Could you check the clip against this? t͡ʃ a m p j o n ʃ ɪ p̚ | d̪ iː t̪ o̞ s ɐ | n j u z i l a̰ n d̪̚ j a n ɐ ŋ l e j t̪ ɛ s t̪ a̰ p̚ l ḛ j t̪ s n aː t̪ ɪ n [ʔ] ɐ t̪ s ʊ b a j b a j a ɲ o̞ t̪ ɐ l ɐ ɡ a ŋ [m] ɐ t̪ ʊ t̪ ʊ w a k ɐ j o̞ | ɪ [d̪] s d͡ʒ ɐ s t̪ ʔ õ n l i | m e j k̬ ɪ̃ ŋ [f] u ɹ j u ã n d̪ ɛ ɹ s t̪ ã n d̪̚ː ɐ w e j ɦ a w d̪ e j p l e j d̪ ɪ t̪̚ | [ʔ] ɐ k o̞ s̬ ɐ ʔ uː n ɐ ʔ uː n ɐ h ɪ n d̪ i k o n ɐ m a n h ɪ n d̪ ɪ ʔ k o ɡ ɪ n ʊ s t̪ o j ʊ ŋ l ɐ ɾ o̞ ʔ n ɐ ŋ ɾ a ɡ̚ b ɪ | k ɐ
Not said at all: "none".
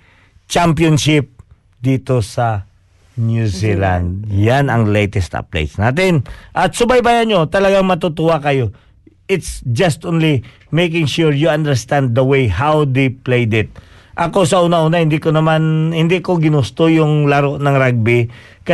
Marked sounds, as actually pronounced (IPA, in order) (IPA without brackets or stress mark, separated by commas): ʔ, m, t̪, ʃ, ʔ